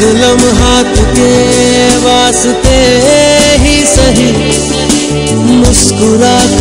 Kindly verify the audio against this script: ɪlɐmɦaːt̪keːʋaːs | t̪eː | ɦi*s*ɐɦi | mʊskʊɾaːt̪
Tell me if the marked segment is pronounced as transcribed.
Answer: yes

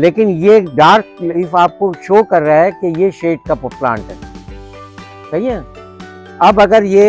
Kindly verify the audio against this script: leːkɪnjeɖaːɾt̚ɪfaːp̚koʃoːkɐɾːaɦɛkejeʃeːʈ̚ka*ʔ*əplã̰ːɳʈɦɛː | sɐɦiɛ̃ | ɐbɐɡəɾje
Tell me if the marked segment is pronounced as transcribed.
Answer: no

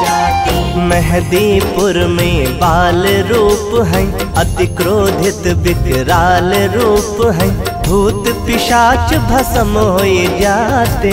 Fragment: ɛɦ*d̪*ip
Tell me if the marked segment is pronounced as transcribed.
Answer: yes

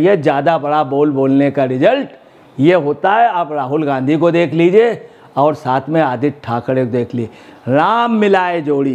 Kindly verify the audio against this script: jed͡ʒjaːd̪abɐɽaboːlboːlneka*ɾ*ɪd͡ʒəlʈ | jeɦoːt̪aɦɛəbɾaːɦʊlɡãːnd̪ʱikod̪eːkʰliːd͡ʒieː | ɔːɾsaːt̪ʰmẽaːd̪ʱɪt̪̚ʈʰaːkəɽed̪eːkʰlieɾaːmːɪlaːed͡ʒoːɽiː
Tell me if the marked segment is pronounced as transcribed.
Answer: yes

